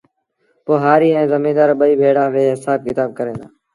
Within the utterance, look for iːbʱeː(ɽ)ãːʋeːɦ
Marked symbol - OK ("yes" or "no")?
yes